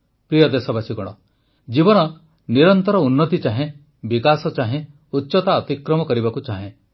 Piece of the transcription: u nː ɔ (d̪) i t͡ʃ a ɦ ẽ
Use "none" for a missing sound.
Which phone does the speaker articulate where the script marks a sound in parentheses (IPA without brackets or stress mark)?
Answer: t̪